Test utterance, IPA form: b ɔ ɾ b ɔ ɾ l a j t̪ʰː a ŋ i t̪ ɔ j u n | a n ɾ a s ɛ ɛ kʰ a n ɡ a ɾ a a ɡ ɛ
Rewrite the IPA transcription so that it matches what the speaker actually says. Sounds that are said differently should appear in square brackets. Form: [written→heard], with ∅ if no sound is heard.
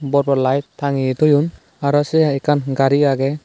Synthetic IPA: b ɔ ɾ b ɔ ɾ l a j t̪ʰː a ŋ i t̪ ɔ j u n | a [n→∅] ɾ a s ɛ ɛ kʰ a n ɡ a ɾ [a→i] a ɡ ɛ